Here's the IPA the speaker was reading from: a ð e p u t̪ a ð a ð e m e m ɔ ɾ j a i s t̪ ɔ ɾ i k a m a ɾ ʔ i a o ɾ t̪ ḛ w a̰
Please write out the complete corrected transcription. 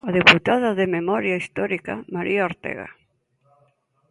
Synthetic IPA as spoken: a ð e p u t̪ a ð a ð e m e m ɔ ɾ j a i s t̪ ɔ ɾ i k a m a ɾ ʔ i a o ɾ t̪ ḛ ɣ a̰